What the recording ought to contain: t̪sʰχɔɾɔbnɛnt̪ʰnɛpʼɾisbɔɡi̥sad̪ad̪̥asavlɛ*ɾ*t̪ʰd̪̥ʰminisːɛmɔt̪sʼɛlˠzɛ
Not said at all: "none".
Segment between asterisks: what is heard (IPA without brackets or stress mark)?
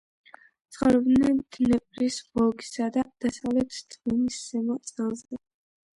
none